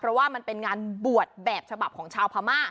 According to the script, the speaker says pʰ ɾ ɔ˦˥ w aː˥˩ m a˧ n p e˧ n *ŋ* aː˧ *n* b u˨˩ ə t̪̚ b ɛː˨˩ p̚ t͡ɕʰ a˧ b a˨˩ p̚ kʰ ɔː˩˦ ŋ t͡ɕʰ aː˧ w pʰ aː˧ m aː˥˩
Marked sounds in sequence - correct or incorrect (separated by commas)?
correct, correct